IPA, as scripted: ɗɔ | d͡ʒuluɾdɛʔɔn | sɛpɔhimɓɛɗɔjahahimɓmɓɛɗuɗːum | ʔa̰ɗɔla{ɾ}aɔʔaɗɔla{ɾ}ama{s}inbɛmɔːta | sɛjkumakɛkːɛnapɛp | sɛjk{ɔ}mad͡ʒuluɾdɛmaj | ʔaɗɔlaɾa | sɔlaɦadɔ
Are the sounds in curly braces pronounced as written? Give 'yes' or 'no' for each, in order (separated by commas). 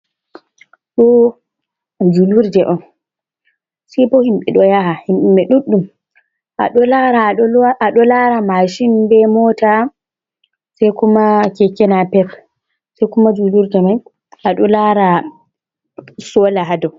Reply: yes, yes, no, no